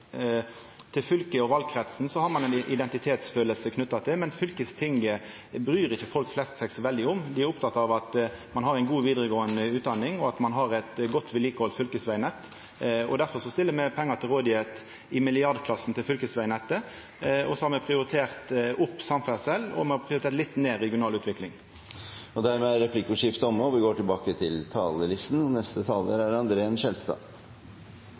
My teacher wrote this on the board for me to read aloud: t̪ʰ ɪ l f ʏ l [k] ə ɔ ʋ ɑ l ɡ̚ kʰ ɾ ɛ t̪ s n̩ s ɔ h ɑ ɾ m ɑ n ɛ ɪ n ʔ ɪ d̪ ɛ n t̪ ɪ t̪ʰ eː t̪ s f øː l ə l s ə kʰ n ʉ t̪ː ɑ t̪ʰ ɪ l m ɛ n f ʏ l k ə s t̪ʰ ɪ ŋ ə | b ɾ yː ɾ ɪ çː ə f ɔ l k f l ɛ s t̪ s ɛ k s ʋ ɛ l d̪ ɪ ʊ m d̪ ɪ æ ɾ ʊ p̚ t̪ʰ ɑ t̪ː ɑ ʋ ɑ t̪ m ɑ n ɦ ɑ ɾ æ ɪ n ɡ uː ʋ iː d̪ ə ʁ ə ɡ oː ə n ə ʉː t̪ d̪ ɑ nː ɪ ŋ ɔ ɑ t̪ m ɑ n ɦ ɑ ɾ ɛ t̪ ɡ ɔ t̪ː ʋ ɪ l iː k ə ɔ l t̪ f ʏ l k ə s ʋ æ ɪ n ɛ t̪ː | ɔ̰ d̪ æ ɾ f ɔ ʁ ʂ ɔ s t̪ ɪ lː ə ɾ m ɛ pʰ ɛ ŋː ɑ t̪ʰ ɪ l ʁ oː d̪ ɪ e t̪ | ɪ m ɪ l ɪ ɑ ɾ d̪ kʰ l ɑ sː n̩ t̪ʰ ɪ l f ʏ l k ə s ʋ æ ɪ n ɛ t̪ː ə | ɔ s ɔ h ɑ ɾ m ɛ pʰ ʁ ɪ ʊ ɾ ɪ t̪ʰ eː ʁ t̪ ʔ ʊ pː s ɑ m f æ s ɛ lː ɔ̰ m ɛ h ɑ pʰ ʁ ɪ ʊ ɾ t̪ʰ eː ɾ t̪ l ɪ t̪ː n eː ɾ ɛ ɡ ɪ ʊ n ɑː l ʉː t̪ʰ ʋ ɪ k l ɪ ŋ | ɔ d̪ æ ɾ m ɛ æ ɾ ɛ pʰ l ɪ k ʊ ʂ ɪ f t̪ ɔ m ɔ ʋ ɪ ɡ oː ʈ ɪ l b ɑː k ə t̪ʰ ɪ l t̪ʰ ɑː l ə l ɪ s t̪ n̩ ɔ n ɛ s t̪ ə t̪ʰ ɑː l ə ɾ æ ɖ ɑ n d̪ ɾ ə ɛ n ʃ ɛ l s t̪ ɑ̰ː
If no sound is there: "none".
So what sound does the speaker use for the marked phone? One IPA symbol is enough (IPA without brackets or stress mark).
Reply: k